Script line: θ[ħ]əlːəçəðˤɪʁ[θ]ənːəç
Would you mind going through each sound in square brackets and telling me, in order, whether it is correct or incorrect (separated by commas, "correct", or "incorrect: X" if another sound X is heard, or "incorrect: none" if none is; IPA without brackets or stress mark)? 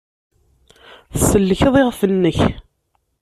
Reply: incorrect: s, incorrect: f